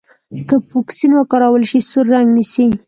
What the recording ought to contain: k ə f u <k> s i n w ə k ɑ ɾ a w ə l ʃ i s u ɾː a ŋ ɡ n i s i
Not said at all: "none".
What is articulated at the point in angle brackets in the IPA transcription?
k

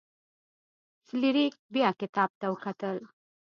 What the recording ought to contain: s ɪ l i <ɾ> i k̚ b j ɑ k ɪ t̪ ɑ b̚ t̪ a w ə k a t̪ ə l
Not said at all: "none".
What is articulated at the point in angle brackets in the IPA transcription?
ɾ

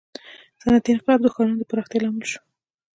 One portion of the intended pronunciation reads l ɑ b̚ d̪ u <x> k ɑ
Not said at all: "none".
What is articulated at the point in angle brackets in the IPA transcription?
x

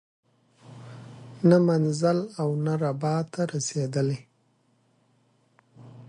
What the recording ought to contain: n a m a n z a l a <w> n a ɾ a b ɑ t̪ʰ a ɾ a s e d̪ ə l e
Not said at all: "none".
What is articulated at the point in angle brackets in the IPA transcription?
w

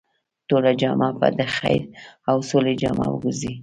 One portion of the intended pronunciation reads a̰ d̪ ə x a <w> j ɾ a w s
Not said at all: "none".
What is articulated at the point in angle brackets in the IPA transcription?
none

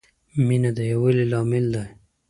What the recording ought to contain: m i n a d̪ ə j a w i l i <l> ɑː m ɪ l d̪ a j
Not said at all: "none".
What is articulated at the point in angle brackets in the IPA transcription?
l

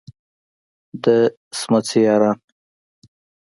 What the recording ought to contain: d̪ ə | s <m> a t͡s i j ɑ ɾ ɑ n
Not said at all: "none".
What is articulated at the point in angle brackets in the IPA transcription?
m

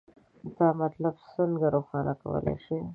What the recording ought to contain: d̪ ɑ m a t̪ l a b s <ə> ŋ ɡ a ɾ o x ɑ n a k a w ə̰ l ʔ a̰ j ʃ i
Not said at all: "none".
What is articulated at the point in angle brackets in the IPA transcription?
ə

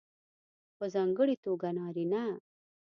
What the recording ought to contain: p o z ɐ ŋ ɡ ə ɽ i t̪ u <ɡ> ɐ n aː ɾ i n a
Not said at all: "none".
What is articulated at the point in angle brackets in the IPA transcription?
ɡ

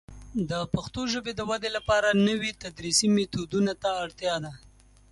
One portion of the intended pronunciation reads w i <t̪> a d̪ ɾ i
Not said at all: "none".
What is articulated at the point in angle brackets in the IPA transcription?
t̪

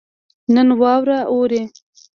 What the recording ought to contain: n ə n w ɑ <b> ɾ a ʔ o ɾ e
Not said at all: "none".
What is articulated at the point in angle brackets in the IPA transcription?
w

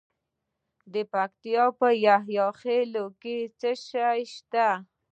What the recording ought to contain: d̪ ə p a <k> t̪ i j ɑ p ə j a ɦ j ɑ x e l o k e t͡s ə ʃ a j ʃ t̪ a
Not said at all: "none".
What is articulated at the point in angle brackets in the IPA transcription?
k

